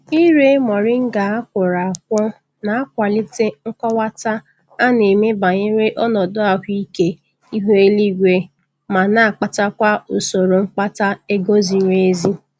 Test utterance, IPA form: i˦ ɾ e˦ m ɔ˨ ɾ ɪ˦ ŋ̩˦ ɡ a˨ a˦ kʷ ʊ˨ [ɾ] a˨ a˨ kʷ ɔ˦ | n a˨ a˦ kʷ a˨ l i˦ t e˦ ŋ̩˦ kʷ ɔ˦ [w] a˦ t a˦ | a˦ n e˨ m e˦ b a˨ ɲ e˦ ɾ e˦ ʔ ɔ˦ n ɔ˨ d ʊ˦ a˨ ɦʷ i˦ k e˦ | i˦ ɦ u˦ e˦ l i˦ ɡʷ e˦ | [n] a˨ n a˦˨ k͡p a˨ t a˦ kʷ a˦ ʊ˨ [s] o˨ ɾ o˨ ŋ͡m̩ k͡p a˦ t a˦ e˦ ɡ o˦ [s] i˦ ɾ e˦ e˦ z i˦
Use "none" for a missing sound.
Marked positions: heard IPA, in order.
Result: ɾ, w, m, s, z

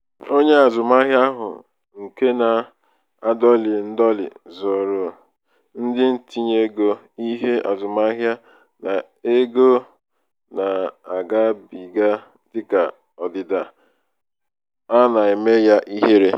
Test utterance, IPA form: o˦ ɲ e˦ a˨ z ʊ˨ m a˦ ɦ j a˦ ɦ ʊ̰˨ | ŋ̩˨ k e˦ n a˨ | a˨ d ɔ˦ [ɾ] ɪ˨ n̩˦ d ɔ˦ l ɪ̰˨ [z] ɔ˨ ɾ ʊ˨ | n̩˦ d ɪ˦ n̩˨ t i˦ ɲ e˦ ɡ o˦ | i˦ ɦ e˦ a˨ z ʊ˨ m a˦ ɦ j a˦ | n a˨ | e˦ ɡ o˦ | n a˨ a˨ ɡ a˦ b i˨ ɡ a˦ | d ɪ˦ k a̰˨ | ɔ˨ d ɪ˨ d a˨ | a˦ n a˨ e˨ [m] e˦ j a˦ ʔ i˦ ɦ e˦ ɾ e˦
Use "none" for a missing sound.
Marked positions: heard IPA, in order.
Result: l, z, m

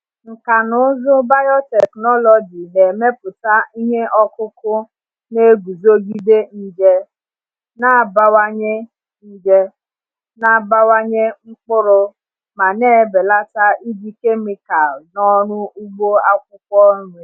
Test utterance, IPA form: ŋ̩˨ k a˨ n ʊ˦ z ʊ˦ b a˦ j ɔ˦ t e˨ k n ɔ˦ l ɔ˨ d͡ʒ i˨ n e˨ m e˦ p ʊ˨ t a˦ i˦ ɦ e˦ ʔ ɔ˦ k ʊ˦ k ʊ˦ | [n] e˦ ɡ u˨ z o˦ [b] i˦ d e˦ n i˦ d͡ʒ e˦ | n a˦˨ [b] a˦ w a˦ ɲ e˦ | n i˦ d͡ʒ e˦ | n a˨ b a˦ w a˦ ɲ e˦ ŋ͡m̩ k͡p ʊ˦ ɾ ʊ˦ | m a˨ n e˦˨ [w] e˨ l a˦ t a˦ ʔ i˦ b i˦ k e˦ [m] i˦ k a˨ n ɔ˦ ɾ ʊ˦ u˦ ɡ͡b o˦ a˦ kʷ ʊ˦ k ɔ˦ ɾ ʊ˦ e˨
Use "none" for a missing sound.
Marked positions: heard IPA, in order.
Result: n, ɡ, b, b, m

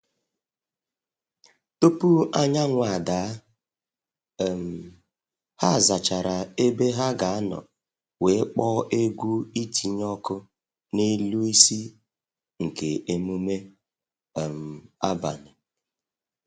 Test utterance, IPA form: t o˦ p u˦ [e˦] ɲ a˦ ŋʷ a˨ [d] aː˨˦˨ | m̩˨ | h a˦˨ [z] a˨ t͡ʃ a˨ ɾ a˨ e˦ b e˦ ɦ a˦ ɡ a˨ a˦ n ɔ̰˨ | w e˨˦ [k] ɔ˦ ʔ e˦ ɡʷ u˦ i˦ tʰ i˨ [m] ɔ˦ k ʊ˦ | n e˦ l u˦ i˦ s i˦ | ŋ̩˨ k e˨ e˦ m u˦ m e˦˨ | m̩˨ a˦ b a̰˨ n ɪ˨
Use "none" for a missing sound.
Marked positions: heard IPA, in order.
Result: a˦, d, z, k͡p, ɲ

